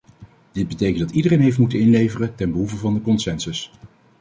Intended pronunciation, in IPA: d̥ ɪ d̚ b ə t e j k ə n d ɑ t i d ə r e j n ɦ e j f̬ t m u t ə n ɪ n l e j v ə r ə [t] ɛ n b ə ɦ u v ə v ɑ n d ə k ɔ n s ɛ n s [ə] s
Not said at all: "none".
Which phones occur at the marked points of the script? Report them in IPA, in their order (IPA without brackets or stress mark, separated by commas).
t, ə